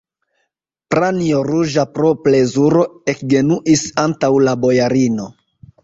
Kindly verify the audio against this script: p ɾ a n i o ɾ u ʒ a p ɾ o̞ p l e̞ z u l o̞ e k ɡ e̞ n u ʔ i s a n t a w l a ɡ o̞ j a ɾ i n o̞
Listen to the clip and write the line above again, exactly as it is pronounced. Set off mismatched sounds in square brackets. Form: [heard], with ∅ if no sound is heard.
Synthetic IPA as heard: p ɾ a n i o ɾ u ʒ a p ɾ o̞ p l e̞ z u [ɾ] o̞ e k ɡ e̞ n u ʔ i s a n t a w l a [b] o̞ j a ɾ i n o̞